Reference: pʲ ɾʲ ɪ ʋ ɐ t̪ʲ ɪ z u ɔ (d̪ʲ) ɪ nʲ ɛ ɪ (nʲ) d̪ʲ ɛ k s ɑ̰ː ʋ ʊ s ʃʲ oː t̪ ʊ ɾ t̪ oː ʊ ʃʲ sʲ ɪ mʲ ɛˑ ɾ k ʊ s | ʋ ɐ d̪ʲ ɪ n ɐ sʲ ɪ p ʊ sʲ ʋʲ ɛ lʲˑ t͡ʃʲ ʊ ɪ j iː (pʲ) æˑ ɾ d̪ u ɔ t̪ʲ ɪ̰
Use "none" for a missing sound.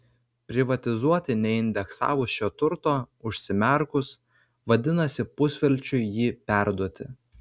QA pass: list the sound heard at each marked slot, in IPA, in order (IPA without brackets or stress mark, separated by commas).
t̪ʲ, nʲ, pʲ